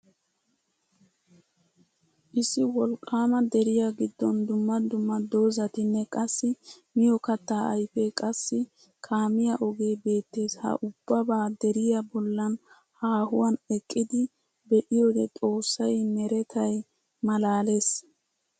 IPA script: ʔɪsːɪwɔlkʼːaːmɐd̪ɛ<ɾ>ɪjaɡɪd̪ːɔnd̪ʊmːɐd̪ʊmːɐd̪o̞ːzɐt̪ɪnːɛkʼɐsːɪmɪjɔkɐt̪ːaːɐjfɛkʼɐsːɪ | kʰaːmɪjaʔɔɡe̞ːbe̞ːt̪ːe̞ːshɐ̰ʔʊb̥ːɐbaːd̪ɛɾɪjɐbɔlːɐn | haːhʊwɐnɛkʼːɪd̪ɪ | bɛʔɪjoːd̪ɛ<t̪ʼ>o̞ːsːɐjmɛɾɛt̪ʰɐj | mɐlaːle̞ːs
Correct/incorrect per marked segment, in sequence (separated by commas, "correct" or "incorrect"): correct, correct